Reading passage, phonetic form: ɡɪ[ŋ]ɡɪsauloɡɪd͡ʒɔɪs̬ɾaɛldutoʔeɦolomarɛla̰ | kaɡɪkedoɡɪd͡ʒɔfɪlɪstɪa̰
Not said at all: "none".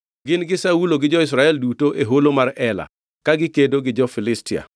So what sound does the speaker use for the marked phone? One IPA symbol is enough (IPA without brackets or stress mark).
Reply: n